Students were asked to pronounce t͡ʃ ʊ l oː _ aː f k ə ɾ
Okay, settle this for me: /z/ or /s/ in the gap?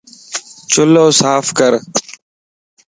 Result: s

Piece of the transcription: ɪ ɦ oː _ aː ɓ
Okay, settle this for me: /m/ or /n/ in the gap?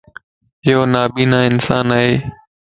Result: n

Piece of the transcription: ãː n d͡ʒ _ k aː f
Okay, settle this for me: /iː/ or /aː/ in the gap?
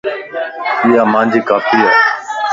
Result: iː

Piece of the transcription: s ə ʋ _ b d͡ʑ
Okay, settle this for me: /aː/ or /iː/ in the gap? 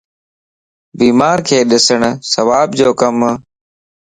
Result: aː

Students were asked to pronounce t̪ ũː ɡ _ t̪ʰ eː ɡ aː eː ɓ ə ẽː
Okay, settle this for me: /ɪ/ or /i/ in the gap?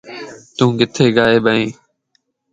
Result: ɪ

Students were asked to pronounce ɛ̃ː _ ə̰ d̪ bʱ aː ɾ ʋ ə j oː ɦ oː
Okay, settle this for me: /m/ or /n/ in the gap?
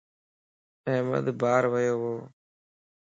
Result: m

